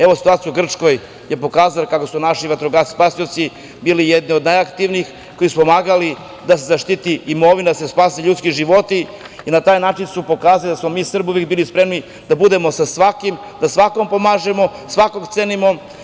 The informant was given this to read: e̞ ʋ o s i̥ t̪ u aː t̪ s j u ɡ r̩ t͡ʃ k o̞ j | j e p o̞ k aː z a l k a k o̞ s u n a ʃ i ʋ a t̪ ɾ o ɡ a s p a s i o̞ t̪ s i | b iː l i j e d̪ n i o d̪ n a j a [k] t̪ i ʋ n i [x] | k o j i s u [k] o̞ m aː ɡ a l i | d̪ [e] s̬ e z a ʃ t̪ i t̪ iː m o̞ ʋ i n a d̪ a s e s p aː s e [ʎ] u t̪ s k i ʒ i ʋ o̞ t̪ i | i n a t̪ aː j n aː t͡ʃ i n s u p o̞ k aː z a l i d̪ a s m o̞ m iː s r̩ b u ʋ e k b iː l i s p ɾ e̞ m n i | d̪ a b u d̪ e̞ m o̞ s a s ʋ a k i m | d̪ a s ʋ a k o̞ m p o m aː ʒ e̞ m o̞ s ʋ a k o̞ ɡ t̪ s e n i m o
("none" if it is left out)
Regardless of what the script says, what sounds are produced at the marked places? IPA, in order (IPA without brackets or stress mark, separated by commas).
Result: k, x, p, a, ʎ